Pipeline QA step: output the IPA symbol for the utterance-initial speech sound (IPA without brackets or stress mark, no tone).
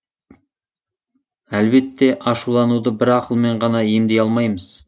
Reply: æ